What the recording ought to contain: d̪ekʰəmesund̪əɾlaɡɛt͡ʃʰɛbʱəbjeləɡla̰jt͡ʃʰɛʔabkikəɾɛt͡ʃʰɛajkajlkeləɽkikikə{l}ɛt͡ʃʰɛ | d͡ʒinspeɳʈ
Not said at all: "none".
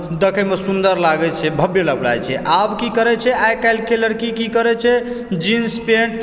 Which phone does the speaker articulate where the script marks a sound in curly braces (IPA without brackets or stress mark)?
ɾ